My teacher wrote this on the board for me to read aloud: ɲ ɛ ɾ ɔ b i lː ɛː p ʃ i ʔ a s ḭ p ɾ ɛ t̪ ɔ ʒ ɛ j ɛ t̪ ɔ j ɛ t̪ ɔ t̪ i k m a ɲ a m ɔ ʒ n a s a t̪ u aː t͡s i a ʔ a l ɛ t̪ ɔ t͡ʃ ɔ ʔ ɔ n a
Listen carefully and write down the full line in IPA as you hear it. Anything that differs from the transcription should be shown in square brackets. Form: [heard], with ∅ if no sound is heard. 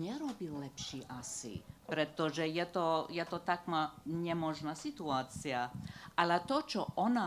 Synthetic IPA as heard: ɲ ɛ ɾ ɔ b i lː [ɛ] p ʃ i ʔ a s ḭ p ɾ ɛ t̪ ɔ ʒ ɛ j ɛ t̪ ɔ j ɛ t̪ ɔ t̪ [a] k m a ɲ [ɛ] m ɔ ʒ n a s [i] t̪ u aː t͡s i a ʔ a l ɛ t̪ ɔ t͡ʃ ɔ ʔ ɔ n a